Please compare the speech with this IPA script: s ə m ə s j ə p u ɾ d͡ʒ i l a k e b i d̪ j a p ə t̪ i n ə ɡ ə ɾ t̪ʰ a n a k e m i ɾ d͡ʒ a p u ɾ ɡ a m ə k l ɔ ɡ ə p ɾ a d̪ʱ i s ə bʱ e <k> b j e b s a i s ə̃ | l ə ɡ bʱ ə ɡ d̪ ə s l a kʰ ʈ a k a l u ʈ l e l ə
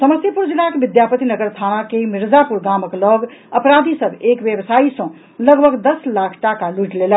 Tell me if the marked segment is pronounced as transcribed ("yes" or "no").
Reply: yes